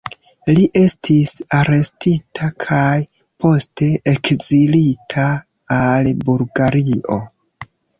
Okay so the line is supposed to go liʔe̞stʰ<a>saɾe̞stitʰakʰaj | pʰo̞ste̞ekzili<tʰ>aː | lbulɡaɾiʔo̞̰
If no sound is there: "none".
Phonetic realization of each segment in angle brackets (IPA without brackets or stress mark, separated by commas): i, tʰ